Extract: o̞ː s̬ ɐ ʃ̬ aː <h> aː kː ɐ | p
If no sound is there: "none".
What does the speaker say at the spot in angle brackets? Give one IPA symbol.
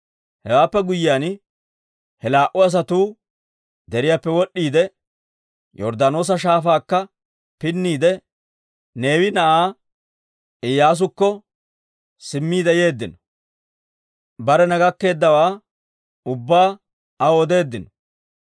f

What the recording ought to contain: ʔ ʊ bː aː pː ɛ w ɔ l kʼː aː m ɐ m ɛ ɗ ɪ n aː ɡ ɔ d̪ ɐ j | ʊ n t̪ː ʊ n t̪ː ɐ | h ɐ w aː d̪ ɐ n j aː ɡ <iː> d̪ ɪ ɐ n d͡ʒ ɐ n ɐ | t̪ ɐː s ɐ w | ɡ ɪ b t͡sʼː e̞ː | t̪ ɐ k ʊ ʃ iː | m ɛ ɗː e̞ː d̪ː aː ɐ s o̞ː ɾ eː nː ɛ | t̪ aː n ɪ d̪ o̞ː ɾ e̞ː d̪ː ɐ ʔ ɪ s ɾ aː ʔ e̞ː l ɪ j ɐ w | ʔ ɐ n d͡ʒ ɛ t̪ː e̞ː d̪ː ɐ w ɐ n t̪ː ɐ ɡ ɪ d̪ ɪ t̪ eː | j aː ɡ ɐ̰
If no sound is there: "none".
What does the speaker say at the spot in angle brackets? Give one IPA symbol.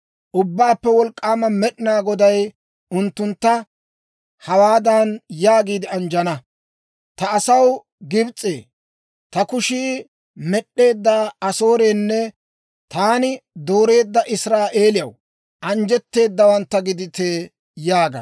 iː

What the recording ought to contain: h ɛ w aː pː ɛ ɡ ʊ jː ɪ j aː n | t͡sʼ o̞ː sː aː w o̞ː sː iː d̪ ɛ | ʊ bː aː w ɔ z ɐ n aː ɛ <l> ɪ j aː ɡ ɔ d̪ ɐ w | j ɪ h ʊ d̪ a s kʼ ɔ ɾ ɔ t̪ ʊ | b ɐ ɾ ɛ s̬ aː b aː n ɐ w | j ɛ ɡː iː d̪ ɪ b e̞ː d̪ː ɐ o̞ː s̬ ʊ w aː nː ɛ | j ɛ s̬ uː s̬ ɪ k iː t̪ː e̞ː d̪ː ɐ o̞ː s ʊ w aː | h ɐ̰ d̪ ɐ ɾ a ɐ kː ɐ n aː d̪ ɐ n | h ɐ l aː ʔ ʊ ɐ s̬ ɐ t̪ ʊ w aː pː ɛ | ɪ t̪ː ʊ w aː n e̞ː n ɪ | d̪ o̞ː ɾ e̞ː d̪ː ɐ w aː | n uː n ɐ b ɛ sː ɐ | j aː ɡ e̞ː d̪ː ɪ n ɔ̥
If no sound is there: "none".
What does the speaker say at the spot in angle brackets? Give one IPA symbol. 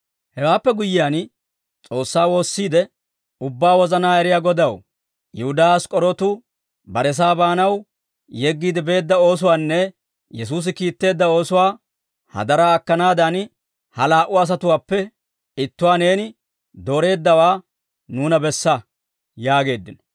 ɾ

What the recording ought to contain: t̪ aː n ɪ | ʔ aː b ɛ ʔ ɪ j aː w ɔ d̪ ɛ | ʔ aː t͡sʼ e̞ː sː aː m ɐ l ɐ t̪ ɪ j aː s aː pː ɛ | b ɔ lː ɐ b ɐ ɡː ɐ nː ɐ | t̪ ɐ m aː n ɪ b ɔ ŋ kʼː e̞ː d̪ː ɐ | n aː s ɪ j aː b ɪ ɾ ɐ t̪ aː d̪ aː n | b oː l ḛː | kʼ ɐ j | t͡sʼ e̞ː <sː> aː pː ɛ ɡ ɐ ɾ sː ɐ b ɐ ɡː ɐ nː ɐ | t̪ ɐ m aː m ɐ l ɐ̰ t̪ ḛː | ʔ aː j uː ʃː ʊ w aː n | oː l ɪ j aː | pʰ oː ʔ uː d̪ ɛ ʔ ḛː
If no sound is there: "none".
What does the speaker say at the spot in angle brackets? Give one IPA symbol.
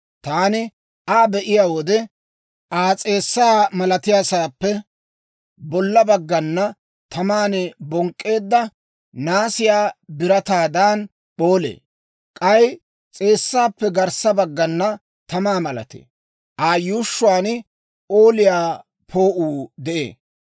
sː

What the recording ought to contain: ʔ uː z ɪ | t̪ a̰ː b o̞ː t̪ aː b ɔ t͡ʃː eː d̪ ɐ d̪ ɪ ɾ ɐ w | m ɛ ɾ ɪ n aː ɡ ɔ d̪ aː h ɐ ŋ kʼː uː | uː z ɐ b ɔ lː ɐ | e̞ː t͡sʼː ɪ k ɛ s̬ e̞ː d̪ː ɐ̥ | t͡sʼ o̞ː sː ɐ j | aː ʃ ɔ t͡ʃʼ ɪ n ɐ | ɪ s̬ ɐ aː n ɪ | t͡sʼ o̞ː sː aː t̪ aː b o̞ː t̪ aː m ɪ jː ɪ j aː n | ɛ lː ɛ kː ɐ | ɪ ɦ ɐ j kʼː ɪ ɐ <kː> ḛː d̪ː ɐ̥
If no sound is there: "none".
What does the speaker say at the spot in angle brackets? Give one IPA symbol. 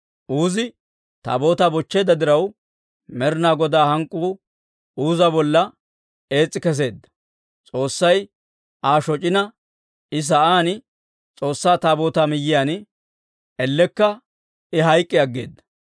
ɡː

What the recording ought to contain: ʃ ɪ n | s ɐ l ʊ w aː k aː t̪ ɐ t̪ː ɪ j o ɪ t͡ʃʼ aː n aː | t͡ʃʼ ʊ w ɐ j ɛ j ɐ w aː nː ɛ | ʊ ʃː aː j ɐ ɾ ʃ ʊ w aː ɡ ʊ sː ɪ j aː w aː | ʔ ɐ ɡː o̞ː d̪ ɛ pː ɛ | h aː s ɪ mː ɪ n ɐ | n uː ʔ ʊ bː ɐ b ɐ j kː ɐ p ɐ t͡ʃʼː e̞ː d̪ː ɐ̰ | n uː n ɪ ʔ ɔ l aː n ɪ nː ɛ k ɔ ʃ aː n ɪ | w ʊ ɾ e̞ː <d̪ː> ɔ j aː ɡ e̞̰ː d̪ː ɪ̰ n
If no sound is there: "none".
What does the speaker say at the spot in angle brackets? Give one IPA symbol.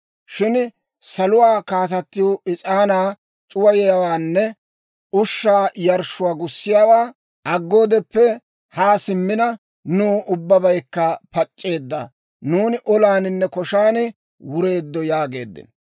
d̪ː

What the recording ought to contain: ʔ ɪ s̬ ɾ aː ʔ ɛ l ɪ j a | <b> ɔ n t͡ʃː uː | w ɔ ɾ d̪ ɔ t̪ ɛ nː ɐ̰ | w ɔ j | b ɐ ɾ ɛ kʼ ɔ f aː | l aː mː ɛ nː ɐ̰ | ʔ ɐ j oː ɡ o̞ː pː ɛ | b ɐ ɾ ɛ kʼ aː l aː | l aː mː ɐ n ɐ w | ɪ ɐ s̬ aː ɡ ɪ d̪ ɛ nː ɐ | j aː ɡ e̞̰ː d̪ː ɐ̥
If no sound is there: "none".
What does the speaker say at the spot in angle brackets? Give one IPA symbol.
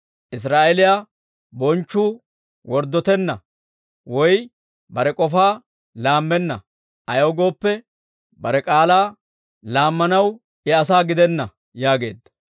b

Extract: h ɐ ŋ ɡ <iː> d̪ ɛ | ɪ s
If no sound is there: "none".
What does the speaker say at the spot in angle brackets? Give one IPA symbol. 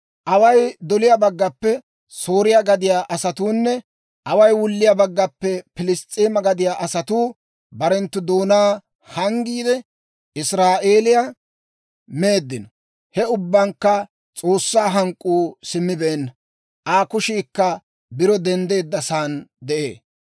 iː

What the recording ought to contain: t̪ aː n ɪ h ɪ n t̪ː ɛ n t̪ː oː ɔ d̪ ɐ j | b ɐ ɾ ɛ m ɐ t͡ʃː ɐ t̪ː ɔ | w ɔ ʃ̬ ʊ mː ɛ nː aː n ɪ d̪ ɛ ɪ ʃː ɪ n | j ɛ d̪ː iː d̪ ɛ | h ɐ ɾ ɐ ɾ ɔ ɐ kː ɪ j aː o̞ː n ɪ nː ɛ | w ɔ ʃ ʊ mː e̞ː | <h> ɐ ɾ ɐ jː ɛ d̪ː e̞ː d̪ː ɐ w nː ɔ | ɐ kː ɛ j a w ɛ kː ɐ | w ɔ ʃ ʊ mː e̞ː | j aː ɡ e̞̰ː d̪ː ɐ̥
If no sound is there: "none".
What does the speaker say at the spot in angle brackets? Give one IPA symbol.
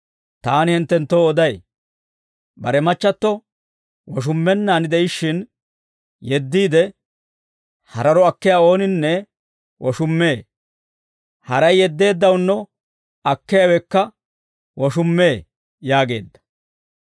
h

